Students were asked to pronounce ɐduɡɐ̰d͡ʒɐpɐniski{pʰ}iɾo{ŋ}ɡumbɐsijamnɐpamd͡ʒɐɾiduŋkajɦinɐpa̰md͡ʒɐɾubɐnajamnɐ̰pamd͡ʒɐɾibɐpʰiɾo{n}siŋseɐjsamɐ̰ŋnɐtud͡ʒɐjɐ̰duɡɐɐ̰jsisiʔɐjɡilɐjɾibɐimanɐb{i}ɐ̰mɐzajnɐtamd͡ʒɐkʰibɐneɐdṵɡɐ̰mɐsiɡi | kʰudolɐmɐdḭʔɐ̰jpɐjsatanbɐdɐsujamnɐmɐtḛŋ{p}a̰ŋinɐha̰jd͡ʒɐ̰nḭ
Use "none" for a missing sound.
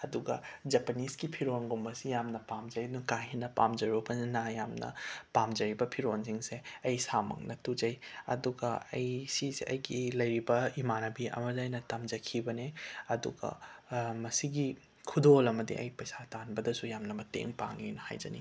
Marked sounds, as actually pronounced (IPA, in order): pʰ, n, n, i, p

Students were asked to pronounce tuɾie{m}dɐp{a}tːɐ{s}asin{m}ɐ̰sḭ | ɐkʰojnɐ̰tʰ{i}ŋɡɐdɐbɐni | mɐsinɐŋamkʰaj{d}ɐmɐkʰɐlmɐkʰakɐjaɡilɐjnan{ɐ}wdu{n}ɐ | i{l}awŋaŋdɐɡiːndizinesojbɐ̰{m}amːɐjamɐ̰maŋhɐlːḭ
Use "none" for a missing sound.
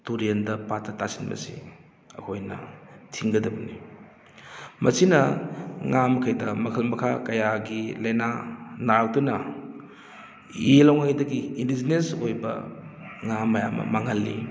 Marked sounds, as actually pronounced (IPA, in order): n, a, t, m, i, d, a, n, l, ŋ

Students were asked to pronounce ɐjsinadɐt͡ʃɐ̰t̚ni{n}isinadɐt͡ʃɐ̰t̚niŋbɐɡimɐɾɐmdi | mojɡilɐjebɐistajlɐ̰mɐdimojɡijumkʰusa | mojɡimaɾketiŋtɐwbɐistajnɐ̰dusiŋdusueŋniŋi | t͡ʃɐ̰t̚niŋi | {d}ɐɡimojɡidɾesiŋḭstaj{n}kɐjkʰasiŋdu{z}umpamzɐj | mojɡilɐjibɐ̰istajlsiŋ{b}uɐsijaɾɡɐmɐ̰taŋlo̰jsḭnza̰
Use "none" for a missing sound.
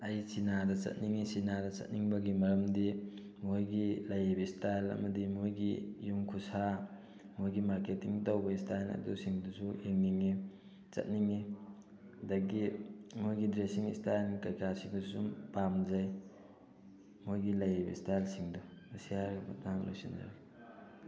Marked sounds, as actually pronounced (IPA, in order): ŋ, d, n, s, d

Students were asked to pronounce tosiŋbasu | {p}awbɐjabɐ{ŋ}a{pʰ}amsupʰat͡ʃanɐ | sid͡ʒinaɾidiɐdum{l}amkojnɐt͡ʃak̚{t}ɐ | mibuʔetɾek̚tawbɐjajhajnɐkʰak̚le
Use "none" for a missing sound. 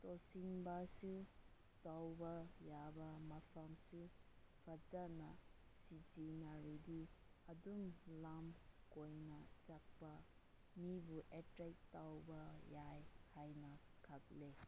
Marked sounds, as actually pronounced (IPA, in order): t, m, pʰ, l, p

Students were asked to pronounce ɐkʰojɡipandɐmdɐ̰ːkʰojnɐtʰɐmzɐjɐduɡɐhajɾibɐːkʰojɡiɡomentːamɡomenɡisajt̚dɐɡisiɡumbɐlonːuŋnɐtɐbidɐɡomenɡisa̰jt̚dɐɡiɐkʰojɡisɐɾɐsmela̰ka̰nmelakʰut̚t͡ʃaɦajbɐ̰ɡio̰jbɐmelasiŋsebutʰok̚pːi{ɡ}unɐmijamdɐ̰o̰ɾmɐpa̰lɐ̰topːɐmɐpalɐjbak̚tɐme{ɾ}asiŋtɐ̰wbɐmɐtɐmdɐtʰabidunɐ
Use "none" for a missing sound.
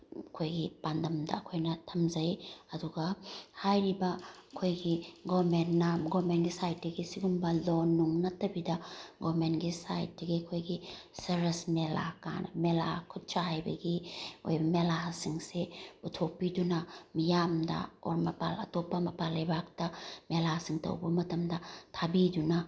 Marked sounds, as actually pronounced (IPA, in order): d, l

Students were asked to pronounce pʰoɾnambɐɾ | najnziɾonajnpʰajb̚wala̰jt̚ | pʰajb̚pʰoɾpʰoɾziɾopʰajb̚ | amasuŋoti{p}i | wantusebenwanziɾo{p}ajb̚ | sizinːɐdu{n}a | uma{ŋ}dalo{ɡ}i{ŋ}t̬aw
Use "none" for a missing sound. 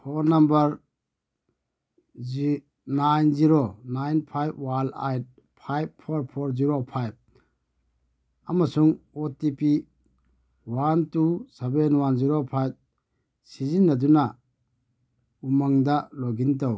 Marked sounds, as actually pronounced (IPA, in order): p, pʰ, n, ŋ, ɡ, n

